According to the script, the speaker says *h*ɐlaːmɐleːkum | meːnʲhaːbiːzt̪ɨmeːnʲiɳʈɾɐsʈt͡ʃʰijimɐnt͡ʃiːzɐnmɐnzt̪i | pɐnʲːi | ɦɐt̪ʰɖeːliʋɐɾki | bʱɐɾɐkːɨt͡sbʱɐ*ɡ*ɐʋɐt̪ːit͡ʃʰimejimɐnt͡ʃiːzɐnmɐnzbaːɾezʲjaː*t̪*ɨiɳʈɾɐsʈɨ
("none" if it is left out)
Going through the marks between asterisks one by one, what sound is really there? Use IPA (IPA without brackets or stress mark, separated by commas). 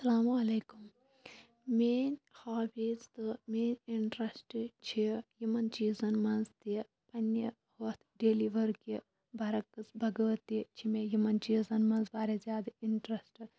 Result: s, ɡ, d̪